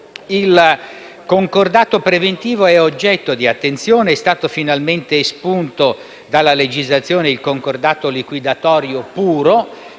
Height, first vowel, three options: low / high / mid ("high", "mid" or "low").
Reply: high